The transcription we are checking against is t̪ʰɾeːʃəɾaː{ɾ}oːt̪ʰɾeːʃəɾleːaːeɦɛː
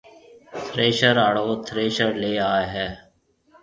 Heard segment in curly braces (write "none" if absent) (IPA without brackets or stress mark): ɽ